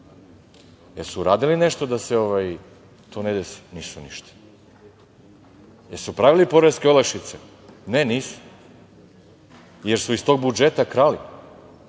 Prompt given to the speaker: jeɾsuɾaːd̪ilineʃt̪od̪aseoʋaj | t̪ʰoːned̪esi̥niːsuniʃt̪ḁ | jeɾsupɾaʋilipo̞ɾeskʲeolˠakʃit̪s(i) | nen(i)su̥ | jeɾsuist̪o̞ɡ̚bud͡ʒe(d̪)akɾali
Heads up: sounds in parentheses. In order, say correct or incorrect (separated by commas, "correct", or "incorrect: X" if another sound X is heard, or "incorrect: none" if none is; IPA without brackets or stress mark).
incorrect: e, incorrect: iː, incorrect: t̪